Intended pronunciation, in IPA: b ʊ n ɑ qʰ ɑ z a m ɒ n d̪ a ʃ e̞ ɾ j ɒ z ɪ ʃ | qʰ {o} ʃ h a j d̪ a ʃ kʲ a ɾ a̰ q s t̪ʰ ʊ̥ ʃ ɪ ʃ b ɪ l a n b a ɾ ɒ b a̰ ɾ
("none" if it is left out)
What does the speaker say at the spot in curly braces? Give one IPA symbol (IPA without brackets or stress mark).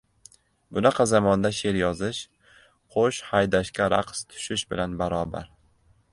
o